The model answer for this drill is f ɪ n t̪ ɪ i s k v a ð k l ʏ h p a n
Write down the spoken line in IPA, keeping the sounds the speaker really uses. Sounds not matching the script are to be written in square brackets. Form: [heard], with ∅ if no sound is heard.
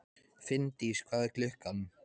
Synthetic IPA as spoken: f ɪ n t̪ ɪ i s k v a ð k l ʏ h [k] a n